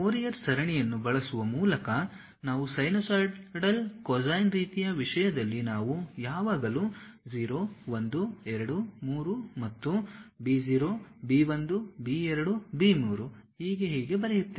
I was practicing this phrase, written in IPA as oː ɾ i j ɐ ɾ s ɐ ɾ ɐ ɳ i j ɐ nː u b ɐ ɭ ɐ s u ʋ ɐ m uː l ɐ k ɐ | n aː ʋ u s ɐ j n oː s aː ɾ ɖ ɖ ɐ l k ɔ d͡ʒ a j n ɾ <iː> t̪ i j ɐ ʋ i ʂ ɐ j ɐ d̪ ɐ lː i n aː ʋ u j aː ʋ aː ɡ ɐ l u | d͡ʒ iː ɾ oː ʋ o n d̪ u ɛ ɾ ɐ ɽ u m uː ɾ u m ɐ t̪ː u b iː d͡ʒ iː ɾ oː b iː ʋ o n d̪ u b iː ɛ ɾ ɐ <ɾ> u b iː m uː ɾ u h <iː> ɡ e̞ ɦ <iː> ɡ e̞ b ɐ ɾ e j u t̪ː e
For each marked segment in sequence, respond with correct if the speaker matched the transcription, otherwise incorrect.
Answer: correct, incorrect: ɽ, correct, correct

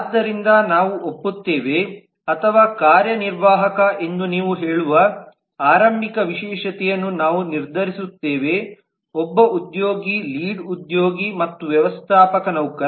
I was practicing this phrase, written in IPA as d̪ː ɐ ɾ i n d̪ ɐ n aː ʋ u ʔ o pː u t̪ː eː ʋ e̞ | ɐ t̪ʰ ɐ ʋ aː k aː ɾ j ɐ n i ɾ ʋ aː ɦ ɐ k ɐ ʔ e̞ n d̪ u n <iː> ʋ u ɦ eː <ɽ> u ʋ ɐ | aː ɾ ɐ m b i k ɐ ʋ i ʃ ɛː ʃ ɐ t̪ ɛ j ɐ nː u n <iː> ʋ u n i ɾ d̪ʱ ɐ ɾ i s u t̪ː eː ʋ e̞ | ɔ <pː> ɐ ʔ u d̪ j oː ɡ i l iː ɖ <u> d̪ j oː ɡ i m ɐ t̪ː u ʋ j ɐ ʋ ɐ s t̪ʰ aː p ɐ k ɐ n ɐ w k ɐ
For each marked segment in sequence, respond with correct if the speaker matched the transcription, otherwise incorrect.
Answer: correct, incorrect: ɭ, incorrect: aː, incorrect: bː, correct

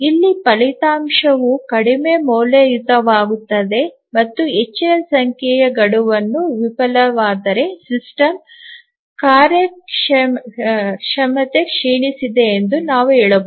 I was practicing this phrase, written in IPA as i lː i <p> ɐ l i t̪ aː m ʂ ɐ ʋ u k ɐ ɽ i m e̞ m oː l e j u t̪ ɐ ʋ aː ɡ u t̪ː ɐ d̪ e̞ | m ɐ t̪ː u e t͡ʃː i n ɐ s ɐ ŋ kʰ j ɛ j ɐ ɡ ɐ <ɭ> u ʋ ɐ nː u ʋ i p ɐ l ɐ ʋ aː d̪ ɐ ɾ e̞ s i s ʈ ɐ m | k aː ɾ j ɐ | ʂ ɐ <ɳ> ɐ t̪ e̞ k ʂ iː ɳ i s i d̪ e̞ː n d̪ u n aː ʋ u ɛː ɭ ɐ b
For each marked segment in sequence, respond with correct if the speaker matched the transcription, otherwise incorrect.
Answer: correct, incorrect: ɽ, incorrect: m

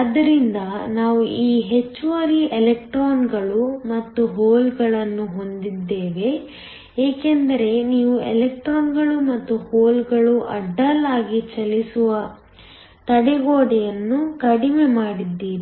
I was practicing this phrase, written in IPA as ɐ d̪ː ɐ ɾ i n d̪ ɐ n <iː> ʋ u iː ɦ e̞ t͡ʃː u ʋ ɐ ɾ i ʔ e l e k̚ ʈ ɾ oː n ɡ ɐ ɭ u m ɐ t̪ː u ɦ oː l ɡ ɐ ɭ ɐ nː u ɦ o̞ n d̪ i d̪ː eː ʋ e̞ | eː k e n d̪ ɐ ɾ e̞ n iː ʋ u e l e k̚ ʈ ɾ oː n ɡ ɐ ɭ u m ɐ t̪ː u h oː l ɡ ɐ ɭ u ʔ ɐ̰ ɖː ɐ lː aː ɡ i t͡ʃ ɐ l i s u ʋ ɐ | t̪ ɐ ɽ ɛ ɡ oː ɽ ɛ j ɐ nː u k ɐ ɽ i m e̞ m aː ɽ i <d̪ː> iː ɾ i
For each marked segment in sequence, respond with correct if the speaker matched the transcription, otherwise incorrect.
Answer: incorrect: aː, correct

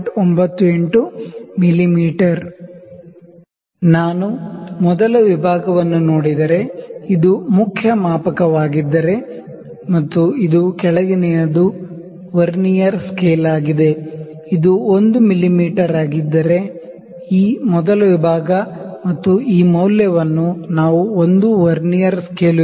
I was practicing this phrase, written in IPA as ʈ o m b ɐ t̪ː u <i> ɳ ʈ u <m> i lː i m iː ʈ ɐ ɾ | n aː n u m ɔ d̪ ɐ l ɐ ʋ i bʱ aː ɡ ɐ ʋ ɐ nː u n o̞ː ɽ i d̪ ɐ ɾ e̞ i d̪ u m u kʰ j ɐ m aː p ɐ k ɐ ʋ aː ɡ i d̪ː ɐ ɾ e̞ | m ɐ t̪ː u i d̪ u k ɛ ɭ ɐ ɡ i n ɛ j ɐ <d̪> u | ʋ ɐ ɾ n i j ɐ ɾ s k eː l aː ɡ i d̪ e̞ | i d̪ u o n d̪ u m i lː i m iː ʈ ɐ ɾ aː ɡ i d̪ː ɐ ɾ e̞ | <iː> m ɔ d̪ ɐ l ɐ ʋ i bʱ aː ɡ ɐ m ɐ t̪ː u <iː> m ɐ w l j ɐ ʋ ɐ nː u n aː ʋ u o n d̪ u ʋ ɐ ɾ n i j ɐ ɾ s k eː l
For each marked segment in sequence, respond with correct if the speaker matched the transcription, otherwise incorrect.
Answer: incorrect: e, correct, correct, correct, correct

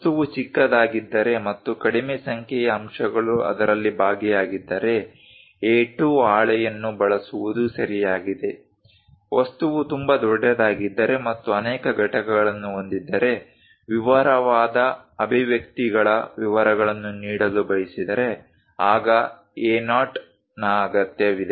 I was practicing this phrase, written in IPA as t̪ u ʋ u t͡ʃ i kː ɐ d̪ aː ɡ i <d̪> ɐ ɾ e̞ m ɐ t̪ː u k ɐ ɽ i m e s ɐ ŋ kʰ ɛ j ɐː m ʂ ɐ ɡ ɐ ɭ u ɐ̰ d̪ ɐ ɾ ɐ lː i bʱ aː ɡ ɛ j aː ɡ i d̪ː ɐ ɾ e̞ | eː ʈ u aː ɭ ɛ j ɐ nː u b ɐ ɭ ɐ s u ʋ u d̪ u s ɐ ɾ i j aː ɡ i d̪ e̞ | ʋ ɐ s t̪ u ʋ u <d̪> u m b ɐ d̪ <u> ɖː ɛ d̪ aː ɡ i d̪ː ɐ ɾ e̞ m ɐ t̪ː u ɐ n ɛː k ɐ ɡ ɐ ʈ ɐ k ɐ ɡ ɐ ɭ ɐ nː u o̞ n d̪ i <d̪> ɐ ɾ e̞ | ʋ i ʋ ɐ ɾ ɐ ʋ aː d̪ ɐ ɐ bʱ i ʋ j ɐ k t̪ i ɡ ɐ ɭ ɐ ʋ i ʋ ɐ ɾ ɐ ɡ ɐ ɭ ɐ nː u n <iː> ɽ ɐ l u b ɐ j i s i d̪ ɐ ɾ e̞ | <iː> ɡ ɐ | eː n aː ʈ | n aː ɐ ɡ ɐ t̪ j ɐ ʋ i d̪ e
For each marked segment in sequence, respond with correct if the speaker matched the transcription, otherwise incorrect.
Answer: incorrect: d̪ː, incorrect: t̪, incorrect: ɔ, incorrect: d̪ː, correct, incorrect: aː

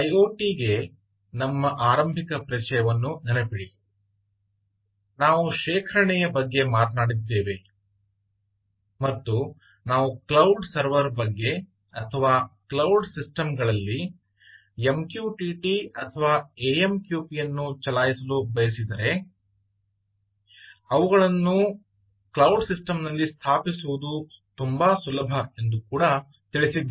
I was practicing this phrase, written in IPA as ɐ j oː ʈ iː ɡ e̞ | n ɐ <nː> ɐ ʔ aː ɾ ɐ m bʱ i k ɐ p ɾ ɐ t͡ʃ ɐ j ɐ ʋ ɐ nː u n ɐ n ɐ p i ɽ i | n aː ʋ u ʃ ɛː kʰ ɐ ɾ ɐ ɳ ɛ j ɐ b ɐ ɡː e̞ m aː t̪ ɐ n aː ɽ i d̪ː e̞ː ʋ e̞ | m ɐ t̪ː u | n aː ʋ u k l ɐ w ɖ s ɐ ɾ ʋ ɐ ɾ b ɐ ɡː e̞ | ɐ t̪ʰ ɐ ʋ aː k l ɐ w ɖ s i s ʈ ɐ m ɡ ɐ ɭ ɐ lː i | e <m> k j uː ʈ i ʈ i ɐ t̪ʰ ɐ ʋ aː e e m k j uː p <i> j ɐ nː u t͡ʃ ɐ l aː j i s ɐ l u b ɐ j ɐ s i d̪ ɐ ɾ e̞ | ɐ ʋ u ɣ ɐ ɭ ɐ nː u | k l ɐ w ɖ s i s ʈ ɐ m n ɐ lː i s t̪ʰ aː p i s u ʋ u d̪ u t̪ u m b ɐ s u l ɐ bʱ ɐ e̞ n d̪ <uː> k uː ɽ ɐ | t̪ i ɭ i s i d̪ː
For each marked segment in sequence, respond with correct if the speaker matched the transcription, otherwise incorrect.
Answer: incorrect: mː, correct, correct, incorrect: u

